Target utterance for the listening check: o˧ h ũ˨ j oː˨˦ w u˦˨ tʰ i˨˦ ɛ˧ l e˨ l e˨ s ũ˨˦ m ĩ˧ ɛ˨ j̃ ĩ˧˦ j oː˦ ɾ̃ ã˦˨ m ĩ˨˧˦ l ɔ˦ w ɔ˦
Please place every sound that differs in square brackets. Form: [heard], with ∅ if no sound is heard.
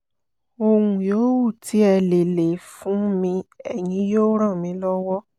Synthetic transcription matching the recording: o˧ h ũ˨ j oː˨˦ w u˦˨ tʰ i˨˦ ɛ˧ l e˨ l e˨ [f] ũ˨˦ m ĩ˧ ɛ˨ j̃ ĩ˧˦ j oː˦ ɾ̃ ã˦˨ m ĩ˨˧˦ l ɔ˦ w ɔ˦